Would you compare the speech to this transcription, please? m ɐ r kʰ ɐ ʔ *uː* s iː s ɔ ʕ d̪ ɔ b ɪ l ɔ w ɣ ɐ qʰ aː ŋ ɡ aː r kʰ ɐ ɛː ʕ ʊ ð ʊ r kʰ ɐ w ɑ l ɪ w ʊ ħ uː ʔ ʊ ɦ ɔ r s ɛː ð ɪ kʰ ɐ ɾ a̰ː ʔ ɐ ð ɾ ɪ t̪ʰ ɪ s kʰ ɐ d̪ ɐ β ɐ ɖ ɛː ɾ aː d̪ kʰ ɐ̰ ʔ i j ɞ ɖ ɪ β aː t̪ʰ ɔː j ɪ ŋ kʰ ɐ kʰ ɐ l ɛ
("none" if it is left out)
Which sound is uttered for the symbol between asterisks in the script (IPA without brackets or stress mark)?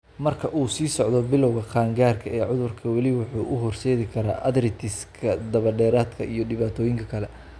uː